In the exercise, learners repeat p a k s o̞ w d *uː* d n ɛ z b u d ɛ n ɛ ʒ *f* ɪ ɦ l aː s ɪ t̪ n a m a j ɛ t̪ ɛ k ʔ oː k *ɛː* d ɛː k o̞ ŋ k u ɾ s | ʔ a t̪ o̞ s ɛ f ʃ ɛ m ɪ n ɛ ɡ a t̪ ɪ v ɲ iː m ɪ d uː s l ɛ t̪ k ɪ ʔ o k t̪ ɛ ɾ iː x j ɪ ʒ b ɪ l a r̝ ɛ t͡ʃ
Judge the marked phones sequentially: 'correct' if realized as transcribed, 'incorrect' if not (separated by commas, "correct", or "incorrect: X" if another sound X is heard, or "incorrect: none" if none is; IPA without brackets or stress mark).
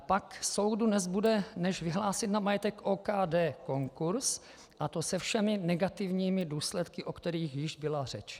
incorrect: u, incorrect: v, incorrect: aː